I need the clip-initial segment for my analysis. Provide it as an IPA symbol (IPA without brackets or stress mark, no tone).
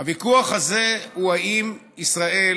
a